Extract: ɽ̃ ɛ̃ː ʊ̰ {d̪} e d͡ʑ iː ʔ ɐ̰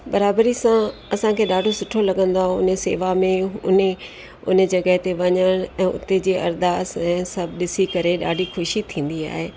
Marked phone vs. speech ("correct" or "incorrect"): incorrect